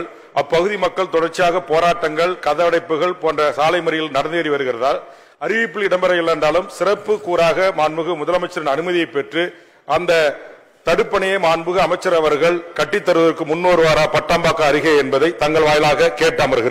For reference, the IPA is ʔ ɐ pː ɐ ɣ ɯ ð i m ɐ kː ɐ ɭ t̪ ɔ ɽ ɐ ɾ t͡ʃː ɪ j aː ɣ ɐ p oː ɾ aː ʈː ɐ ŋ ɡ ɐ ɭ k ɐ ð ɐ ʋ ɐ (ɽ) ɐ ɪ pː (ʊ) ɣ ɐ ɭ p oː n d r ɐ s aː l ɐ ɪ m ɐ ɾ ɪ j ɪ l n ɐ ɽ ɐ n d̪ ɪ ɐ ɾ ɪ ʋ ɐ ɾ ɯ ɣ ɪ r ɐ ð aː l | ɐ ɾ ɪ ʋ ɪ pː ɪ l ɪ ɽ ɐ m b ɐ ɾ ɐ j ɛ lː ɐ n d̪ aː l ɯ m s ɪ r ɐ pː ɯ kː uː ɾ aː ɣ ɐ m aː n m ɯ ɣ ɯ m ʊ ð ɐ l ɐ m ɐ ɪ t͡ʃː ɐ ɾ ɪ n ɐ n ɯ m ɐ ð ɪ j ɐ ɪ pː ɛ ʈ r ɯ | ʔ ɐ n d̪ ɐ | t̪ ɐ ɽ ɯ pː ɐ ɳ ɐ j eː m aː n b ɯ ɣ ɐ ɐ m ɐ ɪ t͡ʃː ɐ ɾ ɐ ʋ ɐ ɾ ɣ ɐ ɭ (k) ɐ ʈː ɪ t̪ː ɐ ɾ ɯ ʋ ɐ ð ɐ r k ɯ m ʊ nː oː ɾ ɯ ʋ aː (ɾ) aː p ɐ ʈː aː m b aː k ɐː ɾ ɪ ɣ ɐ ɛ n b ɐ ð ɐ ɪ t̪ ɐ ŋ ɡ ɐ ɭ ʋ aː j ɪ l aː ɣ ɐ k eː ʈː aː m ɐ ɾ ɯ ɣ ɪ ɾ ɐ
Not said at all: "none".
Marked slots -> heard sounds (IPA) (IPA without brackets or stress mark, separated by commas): ɽ, ɯ, k, ɾ